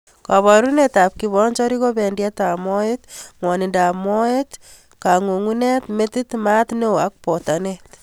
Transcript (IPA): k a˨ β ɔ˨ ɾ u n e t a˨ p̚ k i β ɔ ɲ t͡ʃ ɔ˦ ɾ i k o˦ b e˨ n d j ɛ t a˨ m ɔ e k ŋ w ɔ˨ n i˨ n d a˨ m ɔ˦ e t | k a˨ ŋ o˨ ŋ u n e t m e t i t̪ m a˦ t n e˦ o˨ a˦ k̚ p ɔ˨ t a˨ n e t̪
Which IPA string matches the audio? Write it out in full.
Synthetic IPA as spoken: k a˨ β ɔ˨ ɾ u n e t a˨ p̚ k i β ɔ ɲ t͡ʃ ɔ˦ ɾ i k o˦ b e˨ n d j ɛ t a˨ m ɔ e t ŋ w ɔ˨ n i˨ n d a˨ m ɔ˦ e t | k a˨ ŋ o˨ ŋ u n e t m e t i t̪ m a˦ t n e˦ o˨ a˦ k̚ p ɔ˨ t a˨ n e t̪